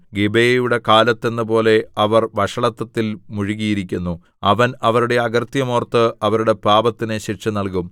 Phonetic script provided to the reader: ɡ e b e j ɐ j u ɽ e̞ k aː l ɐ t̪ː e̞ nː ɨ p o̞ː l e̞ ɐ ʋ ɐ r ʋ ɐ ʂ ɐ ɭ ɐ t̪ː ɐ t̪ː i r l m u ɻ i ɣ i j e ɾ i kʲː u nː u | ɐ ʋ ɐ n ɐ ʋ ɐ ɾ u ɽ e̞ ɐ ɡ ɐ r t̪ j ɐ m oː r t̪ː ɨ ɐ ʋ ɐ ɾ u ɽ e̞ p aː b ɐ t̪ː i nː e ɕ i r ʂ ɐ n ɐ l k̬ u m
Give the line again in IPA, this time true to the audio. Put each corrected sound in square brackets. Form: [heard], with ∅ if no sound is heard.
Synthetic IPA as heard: ɡ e b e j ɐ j u ɽ e̞ k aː l ɐ t̪ː e̞ nː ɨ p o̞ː l e̞ ɐ ʋ ɐ r ʋ ɐ ʂ ɐ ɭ ɐ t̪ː ɐ t̪ː i [∅] l m u ɻ i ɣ i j [i] ɾ i kʲː u nː u | ɐ ʋ ɐ n ɐ ʋ ɐ ɾ u ɽ e̞ ɐ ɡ ɐ r t̪ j ɐ m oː r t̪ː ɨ ɐ ʋ ɐ ɾ u ɽ e̞ p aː b ɐ t̪ː i [n] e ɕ i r ʂ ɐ n ɐ l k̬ u m

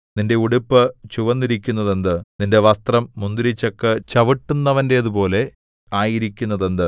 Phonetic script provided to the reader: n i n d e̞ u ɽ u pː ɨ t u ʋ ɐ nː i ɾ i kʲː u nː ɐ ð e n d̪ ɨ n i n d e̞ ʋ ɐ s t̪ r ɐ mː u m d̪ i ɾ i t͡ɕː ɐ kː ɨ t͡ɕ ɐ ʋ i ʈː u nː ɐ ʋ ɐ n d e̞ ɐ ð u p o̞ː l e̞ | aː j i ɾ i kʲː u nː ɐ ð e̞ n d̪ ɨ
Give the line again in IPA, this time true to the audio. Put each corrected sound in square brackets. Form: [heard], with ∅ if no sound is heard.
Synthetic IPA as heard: n i n d e̞ u ɽ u pː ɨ [t͡ɕ] u ʋ ɐ nː i ɾ i kʲː u nː ɐ ð e n d̪ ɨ n i n d e̞ ʋ ɐ s t̪ r ɐ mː u [n] d̪ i ɾ i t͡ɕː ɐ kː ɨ t͡ɕ ɐ ʋ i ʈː u nː ɐ ʋ ɐ n d e̞ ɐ ð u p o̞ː l e̞ | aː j i ɾ i kʲː u nː ɐ ð e̞ n d̪ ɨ

